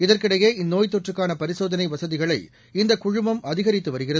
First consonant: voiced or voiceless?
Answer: voiced